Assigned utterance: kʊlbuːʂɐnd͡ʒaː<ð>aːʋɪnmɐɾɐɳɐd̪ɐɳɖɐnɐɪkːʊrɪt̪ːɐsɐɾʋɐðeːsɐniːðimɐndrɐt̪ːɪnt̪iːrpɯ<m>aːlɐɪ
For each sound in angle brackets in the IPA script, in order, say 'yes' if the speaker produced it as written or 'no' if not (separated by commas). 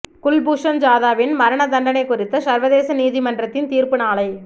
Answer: yes, no